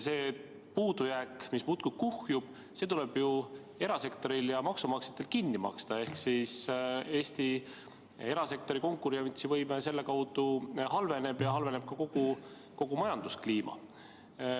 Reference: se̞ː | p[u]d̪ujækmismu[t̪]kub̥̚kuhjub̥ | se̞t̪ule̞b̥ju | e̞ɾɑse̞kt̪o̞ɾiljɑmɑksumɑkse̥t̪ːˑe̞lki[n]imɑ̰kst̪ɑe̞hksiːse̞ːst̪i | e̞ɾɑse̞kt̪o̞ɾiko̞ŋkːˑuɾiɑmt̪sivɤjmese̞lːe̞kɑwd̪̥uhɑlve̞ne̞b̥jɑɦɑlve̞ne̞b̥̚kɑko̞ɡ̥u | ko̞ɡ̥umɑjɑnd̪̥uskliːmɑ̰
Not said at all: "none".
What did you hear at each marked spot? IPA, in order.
uː, t̪, nː

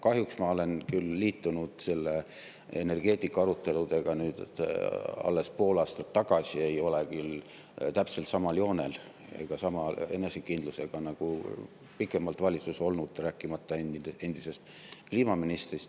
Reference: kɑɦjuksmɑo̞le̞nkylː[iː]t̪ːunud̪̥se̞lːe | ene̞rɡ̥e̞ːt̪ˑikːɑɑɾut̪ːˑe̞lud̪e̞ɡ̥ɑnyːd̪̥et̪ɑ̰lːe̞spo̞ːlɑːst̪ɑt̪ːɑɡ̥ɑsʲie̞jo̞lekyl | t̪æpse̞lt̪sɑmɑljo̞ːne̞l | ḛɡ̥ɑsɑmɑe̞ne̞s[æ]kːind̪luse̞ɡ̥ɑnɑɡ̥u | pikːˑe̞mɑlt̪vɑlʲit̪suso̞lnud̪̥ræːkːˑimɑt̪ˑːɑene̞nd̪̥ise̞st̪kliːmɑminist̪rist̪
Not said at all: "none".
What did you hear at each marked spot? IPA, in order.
iː, e

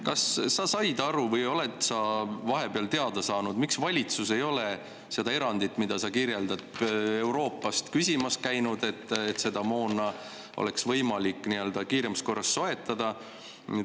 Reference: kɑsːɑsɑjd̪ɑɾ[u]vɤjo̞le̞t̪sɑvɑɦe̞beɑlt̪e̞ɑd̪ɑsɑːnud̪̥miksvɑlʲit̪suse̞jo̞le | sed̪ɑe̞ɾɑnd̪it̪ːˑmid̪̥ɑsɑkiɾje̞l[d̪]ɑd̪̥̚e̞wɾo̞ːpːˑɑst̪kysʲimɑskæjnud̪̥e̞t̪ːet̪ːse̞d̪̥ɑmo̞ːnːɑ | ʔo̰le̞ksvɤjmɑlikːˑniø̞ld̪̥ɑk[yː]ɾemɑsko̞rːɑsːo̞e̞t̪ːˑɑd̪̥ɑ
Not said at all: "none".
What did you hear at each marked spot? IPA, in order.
u, d̪, iː

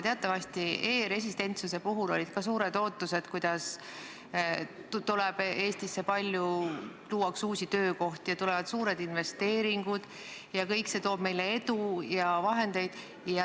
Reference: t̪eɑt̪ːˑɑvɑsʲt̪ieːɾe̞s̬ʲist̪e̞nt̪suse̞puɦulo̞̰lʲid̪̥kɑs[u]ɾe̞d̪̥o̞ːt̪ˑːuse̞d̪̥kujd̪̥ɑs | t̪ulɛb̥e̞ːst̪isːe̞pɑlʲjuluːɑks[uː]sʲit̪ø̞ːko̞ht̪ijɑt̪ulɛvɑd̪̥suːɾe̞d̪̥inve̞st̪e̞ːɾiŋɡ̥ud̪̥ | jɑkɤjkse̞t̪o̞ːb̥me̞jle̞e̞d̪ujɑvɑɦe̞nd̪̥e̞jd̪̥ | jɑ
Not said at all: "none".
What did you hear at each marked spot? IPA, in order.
uː, uː

